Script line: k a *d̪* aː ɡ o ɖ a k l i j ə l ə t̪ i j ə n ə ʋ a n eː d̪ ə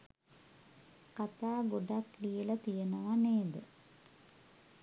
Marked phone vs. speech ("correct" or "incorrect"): incorrect